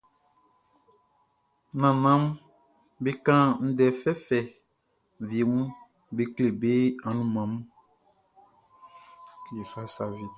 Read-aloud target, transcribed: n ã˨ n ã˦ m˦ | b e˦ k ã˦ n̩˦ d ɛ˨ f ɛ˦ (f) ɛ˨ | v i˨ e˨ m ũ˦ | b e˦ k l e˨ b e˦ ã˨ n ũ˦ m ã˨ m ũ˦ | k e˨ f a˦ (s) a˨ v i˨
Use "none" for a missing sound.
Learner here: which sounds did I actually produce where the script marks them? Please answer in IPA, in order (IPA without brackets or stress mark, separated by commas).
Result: f, s